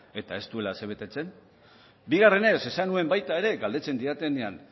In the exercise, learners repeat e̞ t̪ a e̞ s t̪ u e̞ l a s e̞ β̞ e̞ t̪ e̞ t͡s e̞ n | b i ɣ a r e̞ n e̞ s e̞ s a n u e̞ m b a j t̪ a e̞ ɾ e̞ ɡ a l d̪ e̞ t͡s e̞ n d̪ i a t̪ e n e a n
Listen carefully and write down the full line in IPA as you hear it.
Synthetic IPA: e̞ t̪ a e̞ s t̪ u e̞ l a s e̞ β̞ e̞ t̪ e̞ t͡s e̞ n | b i ɣ a r e̞ n e̞ s e̞ s a n u e̞ m b a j t̪ a e̞ ɾ e̞ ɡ a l d̪ e̞ t͡s e̞ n d̪ i a t̪ e n e a n